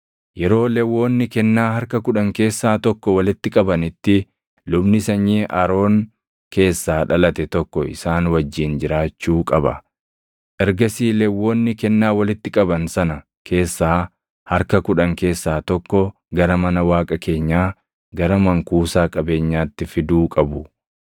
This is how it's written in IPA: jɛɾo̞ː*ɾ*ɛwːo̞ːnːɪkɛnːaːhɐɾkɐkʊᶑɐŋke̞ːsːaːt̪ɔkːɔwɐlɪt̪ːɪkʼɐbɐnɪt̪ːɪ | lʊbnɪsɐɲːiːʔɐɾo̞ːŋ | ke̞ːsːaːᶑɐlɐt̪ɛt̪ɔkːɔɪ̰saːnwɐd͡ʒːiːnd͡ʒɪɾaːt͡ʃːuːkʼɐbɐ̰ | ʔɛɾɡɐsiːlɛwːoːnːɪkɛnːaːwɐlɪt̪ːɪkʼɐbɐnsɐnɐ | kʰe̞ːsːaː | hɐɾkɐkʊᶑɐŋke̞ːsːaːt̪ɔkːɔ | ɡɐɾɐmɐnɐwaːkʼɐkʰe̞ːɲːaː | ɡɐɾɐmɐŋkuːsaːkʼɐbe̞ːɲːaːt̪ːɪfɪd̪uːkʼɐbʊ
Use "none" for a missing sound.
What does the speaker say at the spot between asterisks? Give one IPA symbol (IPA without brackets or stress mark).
l